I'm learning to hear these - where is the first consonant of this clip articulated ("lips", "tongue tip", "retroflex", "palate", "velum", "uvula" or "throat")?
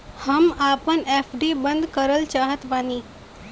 throat